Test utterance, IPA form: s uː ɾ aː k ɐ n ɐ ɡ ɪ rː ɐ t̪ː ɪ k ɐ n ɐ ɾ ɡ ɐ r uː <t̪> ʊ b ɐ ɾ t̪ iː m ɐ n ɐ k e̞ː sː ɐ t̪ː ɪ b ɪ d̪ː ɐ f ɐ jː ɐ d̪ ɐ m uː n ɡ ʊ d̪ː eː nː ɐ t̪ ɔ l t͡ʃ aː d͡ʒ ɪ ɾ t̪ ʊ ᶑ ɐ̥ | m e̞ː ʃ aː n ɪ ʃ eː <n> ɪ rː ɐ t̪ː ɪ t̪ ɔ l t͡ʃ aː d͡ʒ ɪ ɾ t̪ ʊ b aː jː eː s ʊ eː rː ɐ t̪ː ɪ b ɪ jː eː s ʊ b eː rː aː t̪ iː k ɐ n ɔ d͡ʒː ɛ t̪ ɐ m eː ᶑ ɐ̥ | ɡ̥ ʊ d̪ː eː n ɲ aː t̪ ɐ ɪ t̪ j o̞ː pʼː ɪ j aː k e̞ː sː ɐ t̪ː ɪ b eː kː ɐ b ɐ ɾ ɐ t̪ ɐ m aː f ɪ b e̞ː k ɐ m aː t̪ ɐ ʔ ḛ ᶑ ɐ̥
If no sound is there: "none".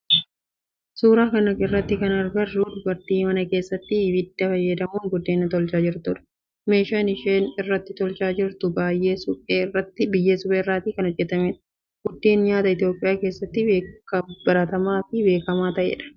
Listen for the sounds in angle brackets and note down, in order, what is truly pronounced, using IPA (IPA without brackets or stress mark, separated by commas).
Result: d̪, n